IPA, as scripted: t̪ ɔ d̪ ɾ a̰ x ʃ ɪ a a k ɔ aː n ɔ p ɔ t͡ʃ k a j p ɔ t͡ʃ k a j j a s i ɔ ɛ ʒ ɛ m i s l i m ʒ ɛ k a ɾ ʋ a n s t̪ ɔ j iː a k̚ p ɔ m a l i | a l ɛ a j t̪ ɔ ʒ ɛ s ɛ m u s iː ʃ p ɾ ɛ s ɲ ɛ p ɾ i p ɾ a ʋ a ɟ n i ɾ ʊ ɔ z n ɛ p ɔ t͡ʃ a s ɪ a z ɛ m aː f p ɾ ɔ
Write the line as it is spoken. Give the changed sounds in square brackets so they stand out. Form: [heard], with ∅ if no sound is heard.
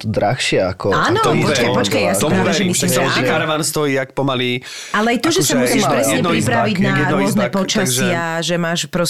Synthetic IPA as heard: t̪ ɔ d̪ ɾ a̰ x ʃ ɪ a a k ɔ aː n ɔ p ɔ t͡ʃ k a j p ɔ t͡ʃ k a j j a s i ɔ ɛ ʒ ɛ m i s l i m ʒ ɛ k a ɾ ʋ a n s t̪ ɔ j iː a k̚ p ɔ m a l i | a l ɛ a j t̪ ɔ ʒ ɛ s [a] m u s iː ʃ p ɾ ɛ s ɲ ɛ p ɾ i p ɾ a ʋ [i] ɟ n [a] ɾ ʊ ɔ z n ɛ p ɔ t͡ʃ a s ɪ a [ʒ] ɛ m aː [ʃ] p ɾ ɔ